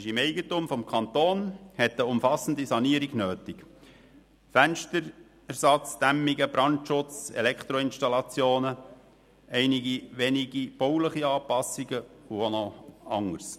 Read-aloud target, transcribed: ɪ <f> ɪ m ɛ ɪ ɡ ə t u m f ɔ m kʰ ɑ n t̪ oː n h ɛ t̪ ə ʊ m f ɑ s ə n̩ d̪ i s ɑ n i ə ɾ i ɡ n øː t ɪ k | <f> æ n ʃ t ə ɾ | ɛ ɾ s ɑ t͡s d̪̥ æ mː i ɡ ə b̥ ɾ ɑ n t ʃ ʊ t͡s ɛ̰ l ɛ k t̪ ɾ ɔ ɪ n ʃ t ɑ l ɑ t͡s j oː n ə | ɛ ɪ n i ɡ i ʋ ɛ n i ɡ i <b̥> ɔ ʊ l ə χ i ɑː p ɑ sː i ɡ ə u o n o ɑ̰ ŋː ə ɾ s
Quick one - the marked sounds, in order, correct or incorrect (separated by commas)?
incorrect, correct, correct